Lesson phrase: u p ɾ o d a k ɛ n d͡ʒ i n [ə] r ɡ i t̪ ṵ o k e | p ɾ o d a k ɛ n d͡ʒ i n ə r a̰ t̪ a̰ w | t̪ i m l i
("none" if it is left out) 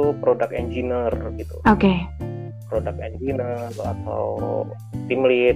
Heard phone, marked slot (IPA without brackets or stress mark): ə